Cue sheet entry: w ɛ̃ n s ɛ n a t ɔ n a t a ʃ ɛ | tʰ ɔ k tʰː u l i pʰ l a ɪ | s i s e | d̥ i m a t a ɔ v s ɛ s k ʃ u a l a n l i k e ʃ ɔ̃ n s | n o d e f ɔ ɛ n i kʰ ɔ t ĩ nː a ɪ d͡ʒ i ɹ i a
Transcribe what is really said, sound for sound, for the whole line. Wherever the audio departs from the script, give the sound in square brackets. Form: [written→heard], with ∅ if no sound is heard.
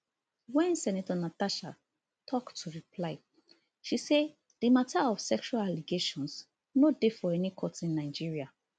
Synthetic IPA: w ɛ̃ n s ɛ n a t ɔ n a t a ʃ [ɛ→a] | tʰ ɔ k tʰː u [l→ɹ] i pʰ l a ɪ | [s→ʃ] i s e | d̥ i m a t a ɔ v s ɛ [s→∅] k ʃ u a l a [n→∅] l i [k→ɡ] e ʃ ɔ̃ n s | n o d e f ɔ ɛ n i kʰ ɔ t ĩ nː a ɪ d͡ʒ i ɹ i a